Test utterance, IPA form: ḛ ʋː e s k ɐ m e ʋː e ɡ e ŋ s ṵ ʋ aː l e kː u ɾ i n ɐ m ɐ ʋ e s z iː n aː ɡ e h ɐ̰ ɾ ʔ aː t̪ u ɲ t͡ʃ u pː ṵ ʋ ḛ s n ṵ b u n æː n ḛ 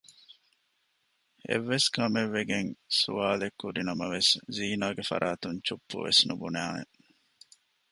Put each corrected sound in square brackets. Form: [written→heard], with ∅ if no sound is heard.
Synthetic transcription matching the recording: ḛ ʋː e s k ɐ m e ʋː e ɡ e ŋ s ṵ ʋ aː l e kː u ɾ i n ɐ m ɐ ʋ e s z iː n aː ɡ e [h→f] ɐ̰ ɾ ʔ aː t̪ u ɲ t͡ʃ u pː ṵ ʋ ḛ s n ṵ b u n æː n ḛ